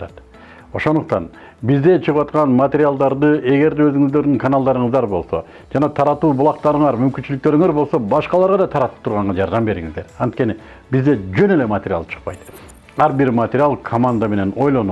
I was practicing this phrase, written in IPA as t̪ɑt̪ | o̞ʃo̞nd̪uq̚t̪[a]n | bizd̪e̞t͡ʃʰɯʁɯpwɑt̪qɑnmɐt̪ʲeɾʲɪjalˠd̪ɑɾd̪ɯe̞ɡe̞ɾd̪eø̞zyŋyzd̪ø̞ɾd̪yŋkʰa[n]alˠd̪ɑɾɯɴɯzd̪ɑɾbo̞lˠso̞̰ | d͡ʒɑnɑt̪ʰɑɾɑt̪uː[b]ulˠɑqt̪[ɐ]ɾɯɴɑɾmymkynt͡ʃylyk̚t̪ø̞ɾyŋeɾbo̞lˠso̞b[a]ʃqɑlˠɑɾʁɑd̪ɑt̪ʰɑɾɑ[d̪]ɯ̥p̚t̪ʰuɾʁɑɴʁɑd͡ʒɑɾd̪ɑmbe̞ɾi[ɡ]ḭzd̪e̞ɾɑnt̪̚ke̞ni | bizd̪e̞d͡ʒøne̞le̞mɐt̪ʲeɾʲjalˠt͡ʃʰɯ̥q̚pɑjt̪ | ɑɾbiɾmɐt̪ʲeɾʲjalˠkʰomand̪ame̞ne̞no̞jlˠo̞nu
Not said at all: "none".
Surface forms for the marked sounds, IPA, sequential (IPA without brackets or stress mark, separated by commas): ɑ, n, b, ɑ, ɑ, t̪, ŋ